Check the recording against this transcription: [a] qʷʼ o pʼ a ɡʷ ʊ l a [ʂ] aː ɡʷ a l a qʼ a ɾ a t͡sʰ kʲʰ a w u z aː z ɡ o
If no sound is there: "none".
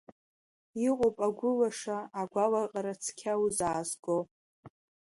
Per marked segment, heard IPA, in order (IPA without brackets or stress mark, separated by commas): i, ʂ